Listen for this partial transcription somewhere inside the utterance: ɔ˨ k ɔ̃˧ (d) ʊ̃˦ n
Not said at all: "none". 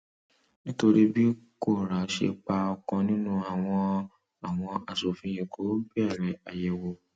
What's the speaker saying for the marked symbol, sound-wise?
n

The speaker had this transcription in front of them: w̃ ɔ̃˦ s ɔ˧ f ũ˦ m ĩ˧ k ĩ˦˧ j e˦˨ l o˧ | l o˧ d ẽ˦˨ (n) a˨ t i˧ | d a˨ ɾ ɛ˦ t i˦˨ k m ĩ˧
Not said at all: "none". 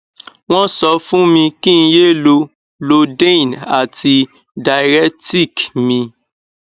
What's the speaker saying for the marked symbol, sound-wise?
n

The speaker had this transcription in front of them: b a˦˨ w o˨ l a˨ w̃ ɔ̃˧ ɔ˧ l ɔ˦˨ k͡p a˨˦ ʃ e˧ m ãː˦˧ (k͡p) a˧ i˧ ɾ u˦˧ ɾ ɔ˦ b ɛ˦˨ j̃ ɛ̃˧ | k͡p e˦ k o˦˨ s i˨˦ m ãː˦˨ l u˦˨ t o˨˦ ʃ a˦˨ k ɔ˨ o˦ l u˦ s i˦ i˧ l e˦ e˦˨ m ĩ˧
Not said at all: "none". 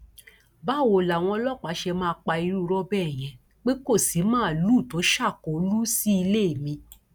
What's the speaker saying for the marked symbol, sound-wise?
k͡p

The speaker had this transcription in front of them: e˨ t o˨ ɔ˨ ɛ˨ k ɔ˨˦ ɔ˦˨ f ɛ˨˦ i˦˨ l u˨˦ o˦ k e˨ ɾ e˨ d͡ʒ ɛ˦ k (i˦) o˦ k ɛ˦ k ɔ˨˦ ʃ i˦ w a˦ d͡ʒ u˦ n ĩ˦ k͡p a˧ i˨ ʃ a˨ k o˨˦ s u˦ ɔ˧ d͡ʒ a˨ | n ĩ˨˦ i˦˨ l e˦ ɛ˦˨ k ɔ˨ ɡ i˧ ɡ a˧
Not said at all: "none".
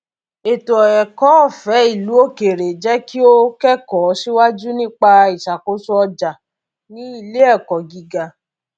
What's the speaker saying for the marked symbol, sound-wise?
i˦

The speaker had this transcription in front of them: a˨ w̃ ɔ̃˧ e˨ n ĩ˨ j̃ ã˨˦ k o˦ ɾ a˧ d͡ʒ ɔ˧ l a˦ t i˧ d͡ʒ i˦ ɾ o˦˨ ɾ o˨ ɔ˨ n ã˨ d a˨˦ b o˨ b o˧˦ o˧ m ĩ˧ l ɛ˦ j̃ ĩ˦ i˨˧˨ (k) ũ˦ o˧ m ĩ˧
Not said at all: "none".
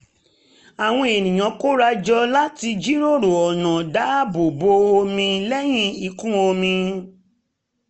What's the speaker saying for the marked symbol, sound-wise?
k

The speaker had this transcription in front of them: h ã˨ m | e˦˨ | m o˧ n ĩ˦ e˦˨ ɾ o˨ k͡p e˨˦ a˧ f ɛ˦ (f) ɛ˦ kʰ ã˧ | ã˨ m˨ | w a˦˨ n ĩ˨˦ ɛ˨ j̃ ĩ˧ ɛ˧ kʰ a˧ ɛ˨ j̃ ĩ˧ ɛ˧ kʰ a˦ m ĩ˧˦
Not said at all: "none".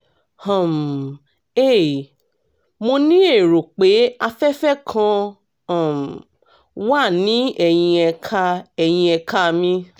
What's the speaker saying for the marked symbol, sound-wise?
f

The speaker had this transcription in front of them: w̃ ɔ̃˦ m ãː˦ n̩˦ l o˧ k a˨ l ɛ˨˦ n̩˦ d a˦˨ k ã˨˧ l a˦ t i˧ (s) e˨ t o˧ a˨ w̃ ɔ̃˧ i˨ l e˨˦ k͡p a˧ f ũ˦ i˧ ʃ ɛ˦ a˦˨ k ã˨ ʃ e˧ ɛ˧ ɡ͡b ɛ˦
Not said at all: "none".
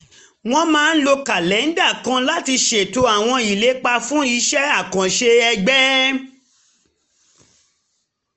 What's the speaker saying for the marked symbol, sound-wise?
ʃ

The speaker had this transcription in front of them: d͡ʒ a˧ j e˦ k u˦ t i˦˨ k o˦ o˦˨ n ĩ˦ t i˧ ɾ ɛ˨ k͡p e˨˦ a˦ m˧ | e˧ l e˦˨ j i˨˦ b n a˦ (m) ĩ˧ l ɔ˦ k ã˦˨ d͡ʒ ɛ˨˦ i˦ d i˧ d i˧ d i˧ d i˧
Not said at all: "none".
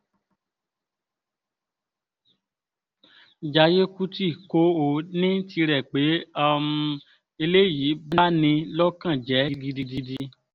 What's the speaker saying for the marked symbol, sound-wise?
n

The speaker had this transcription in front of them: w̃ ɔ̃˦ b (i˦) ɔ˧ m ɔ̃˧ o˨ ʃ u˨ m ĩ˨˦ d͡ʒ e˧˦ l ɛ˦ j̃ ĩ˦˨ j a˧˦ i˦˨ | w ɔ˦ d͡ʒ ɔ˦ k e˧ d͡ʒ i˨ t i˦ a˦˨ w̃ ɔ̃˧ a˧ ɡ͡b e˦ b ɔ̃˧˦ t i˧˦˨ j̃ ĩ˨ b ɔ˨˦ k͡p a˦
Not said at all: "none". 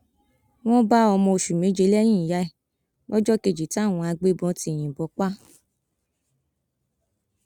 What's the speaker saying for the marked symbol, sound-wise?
a˦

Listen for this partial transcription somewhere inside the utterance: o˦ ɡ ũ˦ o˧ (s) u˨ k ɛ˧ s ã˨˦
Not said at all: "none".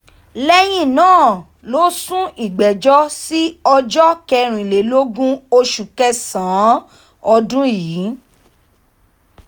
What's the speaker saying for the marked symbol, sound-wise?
ʃ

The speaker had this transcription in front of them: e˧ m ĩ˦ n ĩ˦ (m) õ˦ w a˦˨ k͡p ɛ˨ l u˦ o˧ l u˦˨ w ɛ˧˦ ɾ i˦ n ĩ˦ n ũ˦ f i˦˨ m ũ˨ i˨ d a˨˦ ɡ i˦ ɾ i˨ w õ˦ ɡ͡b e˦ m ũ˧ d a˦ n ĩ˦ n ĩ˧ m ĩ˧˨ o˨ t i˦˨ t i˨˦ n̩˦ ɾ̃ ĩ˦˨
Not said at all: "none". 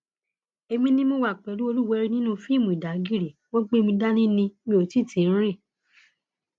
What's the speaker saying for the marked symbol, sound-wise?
m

